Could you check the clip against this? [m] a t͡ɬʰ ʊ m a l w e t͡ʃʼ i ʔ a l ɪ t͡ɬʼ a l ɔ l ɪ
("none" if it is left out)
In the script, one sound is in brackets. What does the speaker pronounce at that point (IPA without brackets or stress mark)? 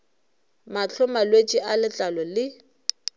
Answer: m